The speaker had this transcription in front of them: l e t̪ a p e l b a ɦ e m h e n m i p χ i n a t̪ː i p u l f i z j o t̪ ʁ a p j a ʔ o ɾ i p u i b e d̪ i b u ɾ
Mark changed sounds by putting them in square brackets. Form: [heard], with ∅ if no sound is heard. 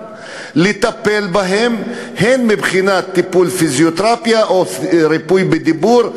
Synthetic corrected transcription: l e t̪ a p e l b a ɦ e m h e n m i [b] χ i n a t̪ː i p u l f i z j o t̪ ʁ a p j a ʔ o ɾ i p u [j] b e d̪ i b u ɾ